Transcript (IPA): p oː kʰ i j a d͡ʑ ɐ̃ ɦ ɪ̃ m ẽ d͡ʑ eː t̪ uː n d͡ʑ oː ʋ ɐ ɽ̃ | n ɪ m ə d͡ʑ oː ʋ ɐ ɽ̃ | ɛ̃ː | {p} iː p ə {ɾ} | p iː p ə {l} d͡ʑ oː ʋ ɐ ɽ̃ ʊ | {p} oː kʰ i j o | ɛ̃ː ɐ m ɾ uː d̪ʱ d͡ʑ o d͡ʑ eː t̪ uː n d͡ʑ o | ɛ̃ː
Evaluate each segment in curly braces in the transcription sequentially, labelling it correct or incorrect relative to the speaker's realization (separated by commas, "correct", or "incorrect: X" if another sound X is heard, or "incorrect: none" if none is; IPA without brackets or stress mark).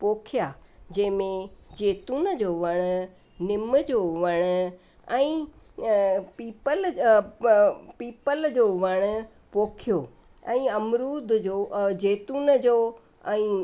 correct, incorrect: l, correct, correct